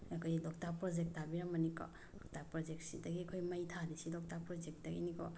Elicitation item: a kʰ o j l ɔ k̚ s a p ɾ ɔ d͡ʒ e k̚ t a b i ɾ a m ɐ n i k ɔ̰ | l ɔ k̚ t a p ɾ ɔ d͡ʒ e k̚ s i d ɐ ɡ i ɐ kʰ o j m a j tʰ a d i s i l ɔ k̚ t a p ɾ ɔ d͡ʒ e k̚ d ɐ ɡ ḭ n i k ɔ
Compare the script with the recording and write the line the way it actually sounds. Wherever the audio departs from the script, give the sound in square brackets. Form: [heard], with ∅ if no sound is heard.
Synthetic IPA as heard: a kʰ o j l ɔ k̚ [t] a p ɾ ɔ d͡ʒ e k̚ t a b i ɾ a m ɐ n i k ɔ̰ | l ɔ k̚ t a p ɾ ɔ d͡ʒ e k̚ s i d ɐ ɡ i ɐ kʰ o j m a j tʰ a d i s i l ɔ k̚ t a p ɾ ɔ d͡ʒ e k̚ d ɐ ɡ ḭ n i k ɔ

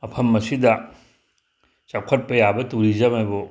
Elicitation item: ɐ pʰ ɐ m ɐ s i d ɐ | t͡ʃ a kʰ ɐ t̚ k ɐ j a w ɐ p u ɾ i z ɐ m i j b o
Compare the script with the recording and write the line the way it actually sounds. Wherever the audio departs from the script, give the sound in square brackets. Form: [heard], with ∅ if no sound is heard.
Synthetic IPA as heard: ɐ pʰ ɐ m ɐ s i d ɐ | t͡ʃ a kʰ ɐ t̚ [p] ɐ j a [b] ɐ [t] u ɾ i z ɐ m [a] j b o

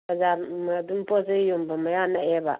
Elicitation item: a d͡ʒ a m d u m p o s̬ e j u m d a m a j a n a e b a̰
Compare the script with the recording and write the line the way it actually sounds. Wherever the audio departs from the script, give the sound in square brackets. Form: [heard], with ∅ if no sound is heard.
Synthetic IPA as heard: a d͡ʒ a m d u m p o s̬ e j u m [b] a m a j a n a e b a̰

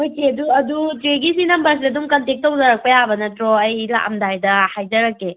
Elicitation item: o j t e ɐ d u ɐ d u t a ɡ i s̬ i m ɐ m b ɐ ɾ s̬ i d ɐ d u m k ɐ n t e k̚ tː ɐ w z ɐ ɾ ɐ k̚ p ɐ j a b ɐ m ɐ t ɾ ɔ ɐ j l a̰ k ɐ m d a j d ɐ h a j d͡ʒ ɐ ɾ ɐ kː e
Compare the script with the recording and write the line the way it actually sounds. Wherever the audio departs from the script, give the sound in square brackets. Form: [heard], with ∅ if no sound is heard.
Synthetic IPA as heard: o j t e ɐ d u ɐ d u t [e] ɡ i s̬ i [n] ɐ m b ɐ ɾ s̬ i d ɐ d u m k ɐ n t e k̚ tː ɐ w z ɐ ɾ ɐ k̚ p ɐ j a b ɐ [n] ɐ t ɾ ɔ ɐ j l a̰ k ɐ m d a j d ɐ h a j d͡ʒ ɐ ɾ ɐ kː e

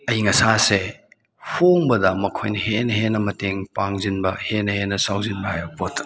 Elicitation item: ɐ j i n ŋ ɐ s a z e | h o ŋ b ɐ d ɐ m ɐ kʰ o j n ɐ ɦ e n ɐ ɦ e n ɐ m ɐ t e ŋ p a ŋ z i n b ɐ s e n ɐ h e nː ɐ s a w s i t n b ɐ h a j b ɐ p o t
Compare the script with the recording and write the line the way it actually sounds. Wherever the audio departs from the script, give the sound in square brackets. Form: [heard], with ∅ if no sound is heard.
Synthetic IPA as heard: ɐ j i [∅] ŋ ɐ s a [s] e | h o ŋ b ɐ d ɐ m ɐ kʰ o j n ɐ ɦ e n ɐ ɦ e n ɐ m ɐ t e ŋ p a ŋ z i n b ɐ [h] e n ɐ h e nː ɐ s a w [z] i [∅] n b ɐ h a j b ɐ p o t

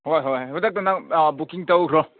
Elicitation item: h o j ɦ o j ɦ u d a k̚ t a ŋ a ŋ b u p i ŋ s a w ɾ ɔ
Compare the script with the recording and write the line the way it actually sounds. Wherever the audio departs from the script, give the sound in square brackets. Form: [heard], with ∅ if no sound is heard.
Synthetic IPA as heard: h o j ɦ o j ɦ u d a k̚ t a [n] a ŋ b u [k] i ŋ [t] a w ɾ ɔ

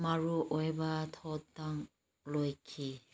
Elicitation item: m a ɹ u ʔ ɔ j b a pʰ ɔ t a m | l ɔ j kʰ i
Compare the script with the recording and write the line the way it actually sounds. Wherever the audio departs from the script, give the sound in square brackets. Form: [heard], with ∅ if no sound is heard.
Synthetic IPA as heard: m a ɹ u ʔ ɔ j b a [tʰ] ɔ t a [ŋ] | l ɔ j kʰ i

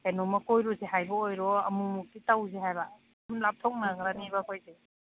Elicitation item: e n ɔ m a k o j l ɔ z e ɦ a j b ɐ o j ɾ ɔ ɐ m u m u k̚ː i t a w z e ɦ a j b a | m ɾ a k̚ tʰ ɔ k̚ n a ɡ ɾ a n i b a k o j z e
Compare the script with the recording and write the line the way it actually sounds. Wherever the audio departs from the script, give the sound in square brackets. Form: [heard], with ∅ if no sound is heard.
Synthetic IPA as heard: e n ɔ m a k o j [ɾ] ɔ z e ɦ a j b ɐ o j ɾ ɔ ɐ m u m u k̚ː i t a w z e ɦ a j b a | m [l] a [p̚] tʰ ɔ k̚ n a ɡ ɾ a n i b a k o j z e

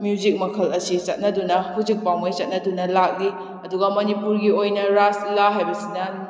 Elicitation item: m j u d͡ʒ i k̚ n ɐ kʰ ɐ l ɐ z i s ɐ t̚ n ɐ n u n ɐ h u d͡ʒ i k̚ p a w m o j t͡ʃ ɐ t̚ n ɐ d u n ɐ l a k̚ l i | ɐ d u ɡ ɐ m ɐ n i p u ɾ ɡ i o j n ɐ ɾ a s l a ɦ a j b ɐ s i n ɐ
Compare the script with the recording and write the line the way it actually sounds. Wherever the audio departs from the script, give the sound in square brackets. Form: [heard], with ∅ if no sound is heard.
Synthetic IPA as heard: m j u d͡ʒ i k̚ [m] ɐ kʰ ɐ l ɐ [s] i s ɐ t̚ n ɐ [d] u n ɐ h u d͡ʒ i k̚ p a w m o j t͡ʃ ɐ t̚ n ɐ d u n ɐ l a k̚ l i | ɐ d u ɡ ɐ m ɐ n i p u ɾ ɡ i o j n ɐ ɾ a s l a ɦ a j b ɐ s i n ɐ

